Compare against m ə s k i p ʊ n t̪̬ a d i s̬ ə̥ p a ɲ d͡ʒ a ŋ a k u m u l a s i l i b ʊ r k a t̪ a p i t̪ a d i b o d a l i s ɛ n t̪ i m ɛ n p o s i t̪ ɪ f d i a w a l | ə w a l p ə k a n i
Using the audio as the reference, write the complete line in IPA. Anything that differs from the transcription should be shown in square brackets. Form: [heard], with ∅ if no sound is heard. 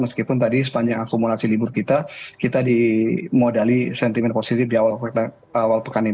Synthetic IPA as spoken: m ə s k i p ʊ n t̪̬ a d i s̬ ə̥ p a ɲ d͡ʒ a ŋ a k u m u l a s i l i b ʊ r k [i] t̪ a [k] i t̪ a d i [m] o d a l i s ɛ n t̪ i m ɛ n p o s i t̪ ɪ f d i a w a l | [a] w a l p ə k a n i